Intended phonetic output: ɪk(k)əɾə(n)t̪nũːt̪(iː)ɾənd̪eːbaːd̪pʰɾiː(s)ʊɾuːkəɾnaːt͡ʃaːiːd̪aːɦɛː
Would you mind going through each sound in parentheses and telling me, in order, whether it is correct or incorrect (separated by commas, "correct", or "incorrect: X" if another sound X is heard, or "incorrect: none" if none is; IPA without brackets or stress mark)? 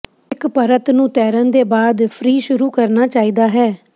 incorrect: p, incorrect: none, incorrect: ɛː, incorrect: ʃ